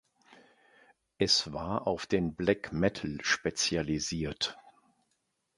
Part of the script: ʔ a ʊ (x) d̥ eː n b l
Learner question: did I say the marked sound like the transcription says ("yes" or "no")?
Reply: no